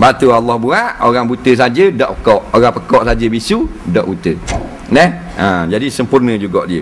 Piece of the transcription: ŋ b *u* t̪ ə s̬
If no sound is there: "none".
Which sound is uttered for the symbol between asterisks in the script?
u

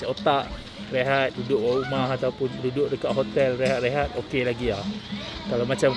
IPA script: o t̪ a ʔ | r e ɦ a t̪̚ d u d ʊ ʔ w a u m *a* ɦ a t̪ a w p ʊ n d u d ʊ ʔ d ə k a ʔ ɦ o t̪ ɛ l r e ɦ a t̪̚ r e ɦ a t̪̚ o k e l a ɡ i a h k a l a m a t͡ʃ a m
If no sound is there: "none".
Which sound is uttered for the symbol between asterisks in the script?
a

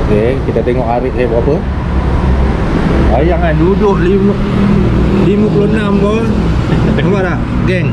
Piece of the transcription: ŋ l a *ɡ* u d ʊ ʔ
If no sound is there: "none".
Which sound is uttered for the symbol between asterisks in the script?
d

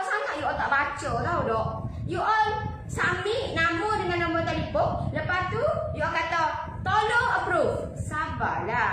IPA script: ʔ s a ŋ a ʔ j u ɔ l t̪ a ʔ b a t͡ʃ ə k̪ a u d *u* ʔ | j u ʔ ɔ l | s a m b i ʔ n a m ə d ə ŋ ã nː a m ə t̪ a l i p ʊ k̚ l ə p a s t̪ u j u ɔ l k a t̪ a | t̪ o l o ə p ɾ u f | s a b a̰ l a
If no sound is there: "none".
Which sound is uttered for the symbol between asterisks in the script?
ɔ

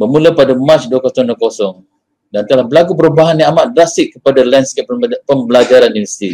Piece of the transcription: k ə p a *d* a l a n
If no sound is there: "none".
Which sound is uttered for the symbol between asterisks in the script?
d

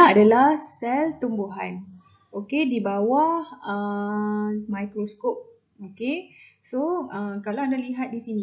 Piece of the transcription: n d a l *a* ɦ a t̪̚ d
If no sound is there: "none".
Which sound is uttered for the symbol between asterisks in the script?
i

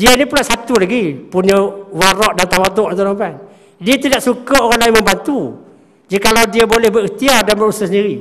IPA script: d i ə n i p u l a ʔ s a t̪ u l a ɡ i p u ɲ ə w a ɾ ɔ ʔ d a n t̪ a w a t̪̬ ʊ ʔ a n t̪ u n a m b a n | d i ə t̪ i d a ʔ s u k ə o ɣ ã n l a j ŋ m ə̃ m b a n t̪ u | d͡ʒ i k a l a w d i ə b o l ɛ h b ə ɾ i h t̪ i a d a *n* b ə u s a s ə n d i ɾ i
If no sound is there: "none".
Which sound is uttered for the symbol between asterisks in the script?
n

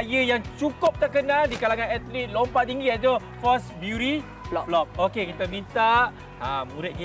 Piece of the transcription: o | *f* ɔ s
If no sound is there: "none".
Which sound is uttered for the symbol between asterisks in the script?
f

